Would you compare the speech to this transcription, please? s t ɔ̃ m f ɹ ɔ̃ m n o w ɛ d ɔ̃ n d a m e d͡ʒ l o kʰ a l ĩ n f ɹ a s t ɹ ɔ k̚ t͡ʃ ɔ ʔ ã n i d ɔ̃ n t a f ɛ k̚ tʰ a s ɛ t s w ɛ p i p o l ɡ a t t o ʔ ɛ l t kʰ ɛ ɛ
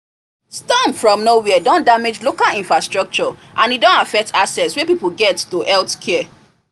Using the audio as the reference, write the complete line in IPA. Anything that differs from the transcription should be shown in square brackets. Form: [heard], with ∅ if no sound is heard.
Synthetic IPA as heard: s t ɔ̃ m f ɹ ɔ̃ m n o w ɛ d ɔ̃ n d a m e d͡ʒ l o [k] a l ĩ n f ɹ a s t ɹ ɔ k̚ t͡ʃ ɔ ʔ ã n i d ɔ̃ n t a f ɛ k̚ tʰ a s ɛ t s w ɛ p i p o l ɡ [ɛ] t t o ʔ ɛ l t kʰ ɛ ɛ